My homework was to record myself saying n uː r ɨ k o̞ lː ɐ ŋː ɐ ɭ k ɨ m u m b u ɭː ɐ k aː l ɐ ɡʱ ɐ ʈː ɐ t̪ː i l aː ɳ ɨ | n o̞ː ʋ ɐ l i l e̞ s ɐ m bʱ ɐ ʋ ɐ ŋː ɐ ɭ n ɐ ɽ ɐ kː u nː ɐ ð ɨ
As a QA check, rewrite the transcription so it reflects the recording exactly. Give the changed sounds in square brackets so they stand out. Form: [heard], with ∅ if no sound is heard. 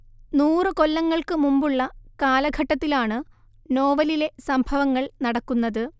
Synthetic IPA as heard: n uː r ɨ k o̞ lː ɐ ŋː ɐ ɭ k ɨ m u m b u ɭː ɐ k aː l ɐ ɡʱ ɐ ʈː ɐ t̪ː i l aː ɳ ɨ | n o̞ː ʋ ɐ l i l e̞ s ɐ m bʱ ɐ ʋ ɐ ŋː ɐ ɭ n ɐ ɽ ɐ kː u nː ɐ ð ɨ